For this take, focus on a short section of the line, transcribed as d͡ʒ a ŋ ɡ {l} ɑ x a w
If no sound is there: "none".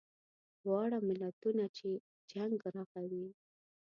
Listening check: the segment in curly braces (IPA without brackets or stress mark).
ɾ